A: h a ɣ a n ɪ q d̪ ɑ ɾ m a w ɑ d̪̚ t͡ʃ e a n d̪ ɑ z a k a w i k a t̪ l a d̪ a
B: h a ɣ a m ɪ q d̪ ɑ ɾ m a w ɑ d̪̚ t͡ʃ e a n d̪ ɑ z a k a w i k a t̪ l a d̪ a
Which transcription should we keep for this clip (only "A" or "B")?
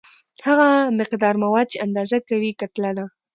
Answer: B